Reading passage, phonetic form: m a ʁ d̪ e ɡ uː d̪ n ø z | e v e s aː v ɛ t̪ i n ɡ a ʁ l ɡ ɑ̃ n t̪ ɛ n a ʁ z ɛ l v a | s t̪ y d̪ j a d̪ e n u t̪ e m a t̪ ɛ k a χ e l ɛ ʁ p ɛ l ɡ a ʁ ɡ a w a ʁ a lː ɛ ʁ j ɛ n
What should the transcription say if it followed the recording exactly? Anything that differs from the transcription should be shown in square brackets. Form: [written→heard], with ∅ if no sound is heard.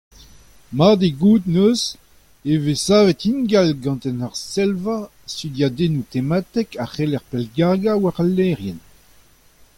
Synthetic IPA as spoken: m a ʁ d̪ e ɡ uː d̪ n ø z | e v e s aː v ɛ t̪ i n ɡ a [ʁ→∅] l ɡ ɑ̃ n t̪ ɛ n a ʁ [z→s] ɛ l v a | s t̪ y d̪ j a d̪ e n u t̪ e m a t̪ ɛ k a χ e l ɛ ʁ p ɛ l ɡ a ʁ ɡ a w a ʁ a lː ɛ ʁ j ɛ n